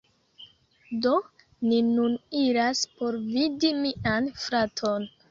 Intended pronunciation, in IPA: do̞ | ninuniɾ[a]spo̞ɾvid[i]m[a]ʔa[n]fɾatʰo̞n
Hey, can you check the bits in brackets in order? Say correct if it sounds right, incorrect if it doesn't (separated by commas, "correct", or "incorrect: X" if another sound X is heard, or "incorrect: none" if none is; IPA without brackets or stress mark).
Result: correct, correct, incorrect: i, correct